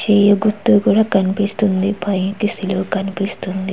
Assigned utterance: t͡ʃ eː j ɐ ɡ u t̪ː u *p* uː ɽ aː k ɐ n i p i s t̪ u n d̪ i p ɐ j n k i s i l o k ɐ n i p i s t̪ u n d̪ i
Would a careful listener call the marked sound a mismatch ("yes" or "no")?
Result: yes